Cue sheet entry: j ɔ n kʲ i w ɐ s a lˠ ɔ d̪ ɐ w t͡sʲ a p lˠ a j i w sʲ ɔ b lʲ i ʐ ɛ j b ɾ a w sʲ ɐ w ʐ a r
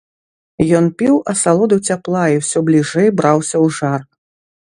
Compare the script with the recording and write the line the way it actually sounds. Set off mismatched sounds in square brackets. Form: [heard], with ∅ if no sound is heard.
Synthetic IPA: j ɔ n [pʲ] i w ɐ s a lˠ ɔ d̪ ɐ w t͡sʲ a p lˠ a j i w sʲ ɔ b lʲ i ʐ ɛ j b ɾ a w sʲ ɐ w ʐ a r